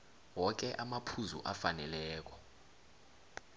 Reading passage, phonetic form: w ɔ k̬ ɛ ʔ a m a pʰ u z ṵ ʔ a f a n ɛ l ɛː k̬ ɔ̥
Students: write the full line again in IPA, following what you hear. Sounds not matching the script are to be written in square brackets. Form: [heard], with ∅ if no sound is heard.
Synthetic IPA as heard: w ɔ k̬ ɛ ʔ a m a pʰ u z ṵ ʔ a f a n ɛ l ɛː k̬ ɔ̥